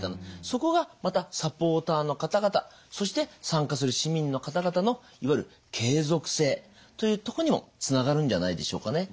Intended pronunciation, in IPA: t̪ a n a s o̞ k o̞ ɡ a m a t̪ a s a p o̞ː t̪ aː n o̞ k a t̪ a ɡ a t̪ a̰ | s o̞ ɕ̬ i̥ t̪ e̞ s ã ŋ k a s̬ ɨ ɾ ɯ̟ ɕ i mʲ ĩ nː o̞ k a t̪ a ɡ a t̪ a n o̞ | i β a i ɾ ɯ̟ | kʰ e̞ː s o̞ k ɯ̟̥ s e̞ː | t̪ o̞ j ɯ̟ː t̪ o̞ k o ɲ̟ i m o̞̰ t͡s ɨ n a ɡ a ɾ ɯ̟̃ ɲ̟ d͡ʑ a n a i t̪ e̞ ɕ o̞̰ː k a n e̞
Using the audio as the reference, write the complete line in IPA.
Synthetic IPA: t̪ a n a s o̞ k o̞ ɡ a m a t̪ a s a p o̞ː t̪ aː n o̞ k a t̪ a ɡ a t̪ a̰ | s o̞ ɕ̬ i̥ t̪ e̞ s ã ŋ k a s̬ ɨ ɾ ɯ̟ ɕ i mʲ ĩ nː o̞ k a t̪ a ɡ a t̪ a n o̞ | i β a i ɾ ɯ̟ | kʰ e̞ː z o̞ k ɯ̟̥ s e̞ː | t̪ o̞ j ɯ̟ː t̪ o̞ k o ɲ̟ i m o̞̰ t͡s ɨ n a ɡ a ɾ ɯ̟̃ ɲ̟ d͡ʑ a n a i d̪ e̞ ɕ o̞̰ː k a n e̞